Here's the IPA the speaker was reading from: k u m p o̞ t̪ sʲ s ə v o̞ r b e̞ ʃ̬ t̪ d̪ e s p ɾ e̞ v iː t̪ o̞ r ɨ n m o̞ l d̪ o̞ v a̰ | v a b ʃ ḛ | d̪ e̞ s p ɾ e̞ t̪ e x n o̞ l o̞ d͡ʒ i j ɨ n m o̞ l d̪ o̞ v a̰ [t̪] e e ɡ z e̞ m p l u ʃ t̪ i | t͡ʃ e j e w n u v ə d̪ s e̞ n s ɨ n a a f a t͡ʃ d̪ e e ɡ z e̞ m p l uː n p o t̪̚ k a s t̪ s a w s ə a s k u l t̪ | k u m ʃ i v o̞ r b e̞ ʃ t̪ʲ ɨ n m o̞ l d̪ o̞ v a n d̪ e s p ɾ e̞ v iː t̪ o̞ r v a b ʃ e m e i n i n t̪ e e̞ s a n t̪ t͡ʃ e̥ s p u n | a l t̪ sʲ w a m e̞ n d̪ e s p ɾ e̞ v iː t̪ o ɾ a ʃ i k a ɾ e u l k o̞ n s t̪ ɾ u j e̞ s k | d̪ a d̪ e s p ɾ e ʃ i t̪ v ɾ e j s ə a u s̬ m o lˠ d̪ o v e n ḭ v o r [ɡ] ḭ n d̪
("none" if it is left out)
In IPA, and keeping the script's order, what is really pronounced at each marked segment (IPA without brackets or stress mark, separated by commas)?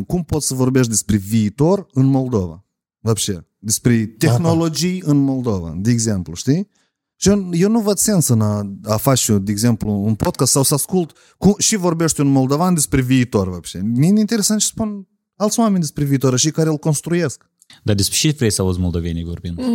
d̪, b